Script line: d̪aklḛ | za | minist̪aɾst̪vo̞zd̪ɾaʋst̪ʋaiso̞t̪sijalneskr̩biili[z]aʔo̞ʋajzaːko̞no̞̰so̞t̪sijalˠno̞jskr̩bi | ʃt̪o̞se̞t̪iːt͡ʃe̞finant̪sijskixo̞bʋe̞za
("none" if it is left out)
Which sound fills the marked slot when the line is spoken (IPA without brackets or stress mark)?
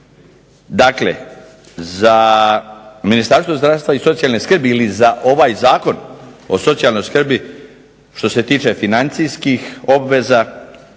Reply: z